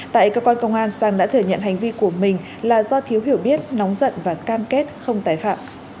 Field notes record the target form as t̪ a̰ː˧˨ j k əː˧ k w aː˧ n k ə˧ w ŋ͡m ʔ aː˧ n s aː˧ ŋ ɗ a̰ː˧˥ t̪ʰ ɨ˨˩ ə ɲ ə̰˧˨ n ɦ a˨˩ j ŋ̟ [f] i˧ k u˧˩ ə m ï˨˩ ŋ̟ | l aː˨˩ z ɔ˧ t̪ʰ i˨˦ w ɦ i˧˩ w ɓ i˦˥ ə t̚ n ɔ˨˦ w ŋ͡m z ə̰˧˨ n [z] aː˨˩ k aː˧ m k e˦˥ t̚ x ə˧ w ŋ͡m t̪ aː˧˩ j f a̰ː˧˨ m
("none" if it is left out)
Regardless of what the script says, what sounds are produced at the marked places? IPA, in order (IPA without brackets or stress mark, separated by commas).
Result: v, v